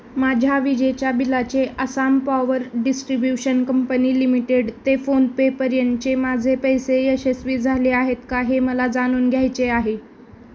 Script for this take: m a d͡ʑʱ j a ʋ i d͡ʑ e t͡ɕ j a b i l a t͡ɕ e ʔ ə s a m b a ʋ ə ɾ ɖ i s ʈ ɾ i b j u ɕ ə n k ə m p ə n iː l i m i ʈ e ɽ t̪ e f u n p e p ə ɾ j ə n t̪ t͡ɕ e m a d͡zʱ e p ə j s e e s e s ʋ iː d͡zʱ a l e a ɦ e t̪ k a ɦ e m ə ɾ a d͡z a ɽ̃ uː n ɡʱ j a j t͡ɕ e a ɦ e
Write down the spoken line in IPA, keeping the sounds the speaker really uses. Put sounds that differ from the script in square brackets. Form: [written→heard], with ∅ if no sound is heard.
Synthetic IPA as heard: m a d͡ʑʱ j a ʋ i d͡ʑ e t͡ɕ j a b i l a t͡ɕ e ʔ ə s a m [b→p] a ʋ ə ɾ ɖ i s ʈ ɾ i b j u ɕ ə n k ə m p ə n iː l i m i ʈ e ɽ t̪ e f [u→o] n p e p ə ɾ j ə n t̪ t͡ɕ e m a d͡zʱ e p ə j s e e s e s ʋ iː d͡zʱ a l e a ɦ e t̪ k a ɦ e m ə [ɾ→l] a d͡z a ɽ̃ uː n ɡʱ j a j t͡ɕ e a ɦ e